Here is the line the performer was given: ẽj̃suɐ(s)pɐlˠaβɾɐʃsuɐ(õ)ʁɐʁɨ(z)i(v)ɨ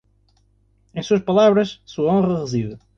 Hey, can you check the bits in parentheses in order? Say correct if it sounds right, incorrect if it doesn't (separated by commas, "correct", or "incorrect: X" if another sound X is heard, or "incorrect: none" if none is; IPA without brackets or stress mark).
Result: incorrect: ʃ, correct, correct, incorrect: ð